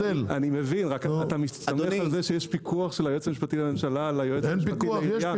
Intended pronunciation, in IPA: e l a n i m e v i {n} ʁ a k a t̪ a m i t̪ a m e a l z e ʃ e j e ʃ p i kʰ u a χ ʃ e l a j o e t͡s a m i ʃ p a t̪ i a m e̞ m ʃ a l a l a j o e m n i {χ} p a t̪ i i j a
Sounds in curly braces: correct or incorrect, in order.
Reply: correct, incorrect: ʃ

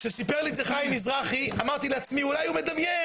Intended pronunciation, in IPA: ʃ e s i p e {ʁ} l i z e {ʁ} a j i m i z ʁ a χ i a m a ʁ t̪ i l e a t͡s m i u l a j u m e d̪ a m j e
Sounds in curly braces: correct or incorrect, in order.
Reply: correct, incorrect: χ

